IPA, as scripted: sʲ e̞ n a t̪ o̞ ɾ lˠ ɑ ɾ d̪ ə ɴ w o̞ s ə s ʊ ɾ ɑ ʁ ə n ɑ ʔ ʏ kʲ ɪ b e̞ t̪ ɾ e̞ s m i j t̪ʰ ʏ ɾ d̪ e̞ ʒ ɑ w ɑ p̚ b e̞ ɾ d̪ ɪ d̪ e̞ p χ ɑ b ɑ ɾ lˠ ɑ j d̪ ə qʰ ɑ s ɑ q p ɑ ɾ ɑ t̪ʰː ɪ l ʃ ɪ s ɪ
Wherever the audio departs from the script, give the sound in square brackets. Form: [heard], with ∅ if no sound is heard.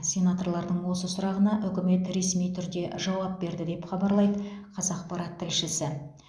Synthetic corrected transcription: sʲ e̞ n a t̪ o̞ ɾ lˠ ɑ ɾ d̪ ə ɴ w o̞ s ə s ʊ ɾ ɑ ʁ ə n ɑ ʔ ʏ kʲ ɪ [m] e̞ t̪ ɾ e̞ s m i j t̪ʰ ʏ ɾ d̪ e̞ ʒ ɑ w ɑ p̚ b e̞ ɾ d̪ ɪ d̪ e̞ p χ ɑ b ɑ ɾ lˠ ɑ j d̪ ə qʰ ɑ [z] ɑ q p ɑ ɾ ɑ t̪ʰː ɪ l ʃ ɪ s ɪ